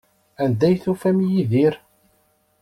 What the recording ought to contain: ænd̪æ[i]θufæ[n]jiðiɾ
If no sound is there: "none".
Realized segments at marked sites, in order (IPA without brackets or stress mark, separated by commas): j, m